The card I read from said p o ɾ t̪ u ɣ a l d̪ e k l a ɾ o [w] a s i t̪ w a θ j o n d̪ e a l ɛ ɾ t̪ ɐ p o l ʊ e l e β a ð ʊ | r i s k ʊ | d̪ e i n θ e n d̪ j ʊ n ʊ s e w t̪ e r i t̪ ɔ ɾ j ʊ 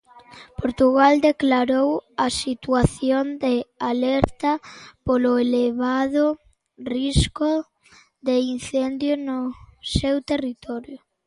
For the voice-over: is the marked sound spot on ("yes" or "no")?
yes